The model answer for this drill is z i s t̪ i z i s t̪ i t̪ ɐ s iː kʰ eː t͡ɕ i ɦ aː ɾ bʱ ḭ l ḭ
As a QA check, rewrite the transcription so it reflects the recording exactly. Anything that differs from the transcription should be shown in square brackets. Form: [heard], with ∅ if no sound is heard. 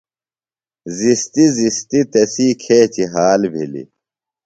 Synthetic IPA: z i s t̪ i z i s t̪ i t̪ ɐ s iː kʰ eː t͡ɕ i ɦ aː [l] bʱ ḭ l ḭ